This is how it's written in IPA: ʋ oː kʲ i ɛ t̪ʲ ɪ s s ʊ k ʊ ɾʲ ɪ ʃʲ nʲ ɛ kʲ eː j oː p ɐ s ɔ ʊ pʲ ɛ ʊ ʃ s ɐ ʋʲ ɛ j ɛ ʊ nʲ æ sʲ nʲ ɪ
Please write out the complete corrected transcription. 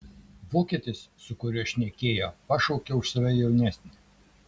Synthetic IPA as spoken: ʋ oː kʲ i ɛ t̪ʲ ɪ s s ʊ k ʊ ɾʲ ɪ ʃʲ nʲ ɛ kʲ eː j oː p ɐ ʃ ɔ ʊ kʲ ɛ ʊ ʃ s ɐ ʋʲ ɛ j ɛ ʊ nʲ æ sʲ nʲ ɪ

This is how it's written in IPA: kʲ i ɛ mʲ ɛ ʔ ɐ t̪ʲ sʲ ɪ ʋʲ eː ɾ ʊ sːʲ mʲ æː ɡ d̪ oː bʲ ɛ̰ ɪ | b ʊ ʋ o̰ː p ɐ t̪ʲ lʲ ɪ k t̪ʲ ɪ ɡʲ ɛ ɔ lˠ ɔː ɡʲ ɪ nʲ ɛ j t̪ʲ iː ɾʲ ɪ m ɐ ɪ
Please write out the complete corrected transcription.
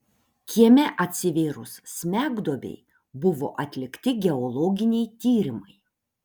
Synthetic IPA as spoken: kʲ i ɛ mʲ ɛ ʔ ɐ t̪ʲ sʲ ɪ ʋʲ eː ɾ ʊ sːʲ mʲ æː ɡ d̪ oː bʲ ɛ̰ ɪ | b ʊ ʋ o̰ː ʔ ɐ t̪ʲ lʲ ɪ k t̪ʲ ɪ ɡʲ ɛ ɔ lˠ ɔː ɡʲ ɪ nʲ ɛ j t̪ʲ iː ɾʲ ɪ m ɐ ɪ

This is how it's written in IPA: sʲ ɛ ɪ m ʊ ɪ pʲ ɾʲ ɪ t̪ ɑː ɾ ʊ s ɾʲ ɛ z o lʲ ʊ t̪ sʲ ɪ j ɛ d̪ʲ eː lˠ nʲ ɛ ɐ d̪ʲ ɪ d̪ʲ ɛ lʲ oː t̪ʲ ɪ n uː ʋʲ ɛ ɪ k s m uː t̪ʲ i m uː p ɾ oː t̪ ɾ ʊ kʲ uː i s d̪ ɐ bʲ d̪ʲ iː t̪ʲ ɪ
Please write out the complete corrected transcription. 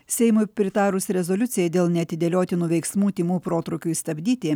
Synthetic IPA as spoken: sʲ ɛ ɪ m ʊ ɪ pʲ ɾʲ ɪ t̪ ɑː ɾ ʊ s ɾʲ ɛ z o lʲ ʊ t̪ sʲ ɪ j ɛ d̪ʲ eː lˠ nʲ ɛ ɐ t̪ʲ ɪ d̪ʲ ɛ lʲ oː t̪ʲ ɪ n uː ʋʲ ɛ ɪ k s m uː t̪ʲ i m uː p ɾ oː t̪ ɾ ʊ kʲ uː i s t̪ ɐ bʲ d̪ʲ iː t̪ʲ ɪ

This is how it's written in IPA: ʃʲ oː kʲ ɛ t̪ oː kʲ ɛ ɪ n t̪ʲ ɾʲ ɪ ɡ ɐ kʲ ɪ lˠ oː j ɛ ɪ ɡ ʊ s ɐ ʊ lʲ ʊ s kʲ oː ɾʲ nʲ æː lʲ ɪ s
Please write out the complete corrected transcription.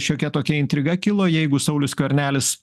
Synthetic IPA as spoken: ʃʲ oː kʲ ɛ t̪ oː kʲ ɛ ɪ n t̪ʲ ɾʲ ɪ ɡ ɐ kʲ ɪ lˠ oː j ɛ ɪ ɡ ʊ s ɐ ʊ lʲ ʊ s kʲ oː ɾʲ nʲ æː lʲ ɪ s

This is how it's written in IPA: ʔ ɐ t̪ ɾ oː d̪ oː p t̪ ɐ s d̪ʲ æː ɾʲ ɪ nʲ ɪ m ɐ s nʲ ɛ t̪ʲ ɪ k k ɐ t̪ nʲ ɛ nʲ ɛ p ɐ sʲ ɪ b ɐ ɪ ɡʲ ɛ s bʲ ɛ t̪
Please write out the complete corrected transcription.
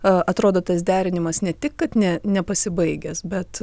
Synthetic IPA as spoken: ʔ ɐ t̪ ɾ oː d̪ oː t̪ ɐ s d̪ʲ æː ɾʲ ɪ nʲ ɪ m ɐ s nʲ ɛ t̪ʲ ɪ k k ɐ t̪ nʲ ɛ nʲ ɛ p ɐ sʲ ɪ b ɐ ɪ ɡʲ ɛ s bʲ ɛ t̪

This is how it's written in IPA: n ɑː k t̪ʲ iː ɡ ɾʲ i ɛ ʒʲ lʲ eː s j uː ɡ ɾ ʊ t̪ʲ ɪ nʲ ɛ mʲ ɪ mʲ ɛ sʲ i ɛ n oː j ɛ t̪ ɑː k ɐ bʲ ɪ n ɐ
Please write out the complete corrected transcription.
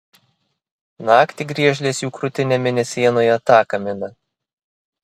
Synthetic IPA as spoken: n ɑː k t̪ʲ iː ɡ ɾʲ i ɛ ʒʲ lʲ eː s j uː k ɾ ʊ t̪ʲ ɪ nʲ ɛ mʲ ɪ nʲ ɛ sʲ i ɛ n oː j ɛ t̪ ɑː k ɐ mʲ ɪ n ɐ

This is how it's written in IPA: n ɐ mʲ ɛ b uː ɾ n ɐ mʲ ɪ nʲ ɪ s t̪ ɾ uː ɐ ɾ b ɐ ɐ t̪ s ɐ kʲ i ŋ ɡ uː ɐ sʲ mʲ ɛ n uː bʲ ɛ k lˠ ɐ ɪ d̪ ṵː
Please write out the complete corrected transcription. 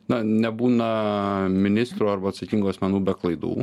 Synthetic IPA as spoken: n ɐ nʲ ɛ b uː n ɐ mʲ ɪ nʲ ɪ s t̪ ɾ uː ɐ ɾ b ɐ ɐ t̪ s ɐ kʲ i ŋ ɡ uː ɐ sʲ mʲ ɛ n uː bʲ ɛ k lˠ ɐ ɪ d̪ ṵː

